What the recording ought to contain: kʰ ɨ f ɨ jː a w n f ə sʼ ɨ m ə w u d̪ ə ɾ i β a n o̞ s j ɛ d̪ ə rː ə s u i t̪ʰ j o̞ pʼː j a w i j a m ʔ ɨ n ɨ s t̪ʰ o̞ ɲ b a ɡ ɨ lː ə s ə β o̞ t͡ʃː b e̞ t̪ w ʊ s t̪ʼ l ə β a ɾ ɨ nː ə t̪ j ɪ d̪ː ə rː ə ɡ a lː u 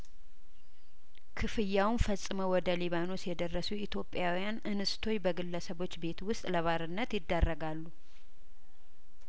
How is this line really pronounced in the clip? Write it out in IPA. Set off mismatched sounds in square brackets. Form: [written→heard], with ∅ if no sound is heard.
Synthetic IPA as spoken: kʰ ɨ f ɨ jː a w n f ə sʼ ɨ m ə w [u→ɔ] d̪ ə [ɾ→l] i β a n o̞ s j ɛ d̪ ə rː ə s u i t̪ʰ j o̞ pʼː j a w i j a [m→n] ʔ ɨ n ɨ s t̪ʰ o̞ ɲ b [a→ə] ɡ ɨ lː ə s ə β o̞ t͡ʃː b e̞ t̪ w ʊ s t̪ʼ l ə β a ɾ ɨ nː ə t̪ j ɪ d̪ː ə rː ə ɡ a lː u